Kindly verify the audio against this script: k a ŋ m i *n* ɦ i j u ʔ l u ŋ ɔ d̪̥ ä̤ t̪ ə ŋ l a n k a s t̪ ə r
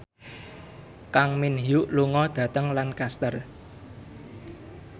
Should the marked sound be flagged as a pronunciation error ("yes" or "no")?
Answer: no